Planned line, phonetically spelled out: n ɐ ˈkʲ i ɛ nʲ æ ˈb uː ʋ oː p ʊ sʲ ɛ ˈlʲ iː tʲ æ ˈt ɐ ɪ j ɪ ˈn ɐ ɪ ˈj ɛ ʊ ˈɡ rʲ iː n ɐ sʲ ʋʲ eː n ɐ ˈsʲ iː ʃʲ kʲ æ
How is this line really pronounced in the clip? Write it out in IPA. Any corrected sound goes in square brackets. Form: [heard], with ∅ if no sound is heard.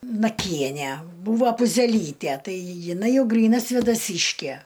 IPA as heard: n ɐ ˈkʲ i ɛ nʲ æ ˈb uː ʋ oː p ʊ [zʲ] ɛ ˈlʲ iː tʲ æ ˈt ɐ ɪ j ɪ ˈn ɐ ɪ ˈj ɛ ʊ ˈɡ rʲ iː n ɐ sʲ ʋʲ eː [d] ɐ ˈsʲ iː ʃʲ kʲ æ